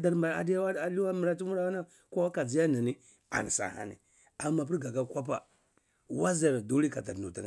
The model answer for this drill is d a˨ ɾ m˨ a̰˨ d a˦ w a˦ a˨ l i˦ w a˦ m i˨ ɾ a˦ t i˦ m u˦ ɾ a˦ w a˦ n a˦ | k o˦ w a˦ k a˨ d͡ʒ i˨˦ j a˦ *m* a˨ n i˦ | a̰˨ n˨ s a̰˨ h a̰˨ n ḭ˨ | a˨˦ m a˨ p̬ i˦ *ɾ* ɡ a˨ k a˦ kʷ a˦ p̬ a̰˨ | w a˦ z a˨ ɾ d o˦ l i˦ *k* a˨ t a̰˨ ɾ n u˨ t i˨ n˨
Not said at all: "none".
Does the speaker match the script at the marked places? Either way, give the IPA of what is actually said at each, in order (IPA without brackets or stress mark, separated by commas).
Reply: n, ɾ, k